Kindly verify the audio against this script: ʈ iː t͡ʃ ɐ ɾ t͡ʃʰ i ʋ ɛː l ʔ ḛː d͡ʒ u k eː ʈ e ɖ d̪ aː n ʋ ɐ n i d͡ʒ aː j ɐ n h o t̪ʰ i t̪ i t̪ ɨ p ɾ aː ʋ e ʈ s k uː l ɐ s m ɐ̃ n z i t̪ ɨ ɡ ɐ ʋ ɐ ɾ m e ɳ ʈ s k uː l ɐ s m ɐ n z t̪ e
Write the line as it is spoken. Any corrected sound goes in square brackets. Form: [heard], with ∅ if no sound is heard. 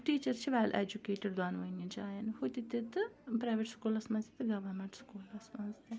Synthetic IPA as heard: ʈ iː t͡ʃ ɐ ɾ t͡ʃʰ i ʋ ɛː l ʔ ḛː d͡ʒ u k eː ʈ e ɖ d̪ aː n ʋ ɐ n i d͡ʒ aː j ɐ n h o [t̪] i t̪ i t̪ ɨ p ɾ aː ʋ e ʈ s k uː l ɐ s m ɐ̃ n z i t̪ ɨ ɡ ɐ ʋ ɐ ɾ m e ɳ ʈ s k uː l ɐ s m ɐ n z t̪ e